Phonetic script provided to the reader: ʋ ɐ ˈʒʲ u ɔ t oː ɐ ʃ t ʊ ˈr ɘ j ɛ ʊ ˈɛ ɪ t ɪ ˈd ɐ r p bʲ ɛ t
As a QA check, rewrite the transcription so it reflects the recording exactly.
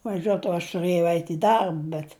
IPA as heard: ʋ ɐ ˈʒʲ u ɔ t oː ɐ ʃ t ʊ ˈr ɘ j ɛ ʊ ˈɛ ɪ t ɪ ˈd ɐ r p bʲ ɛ t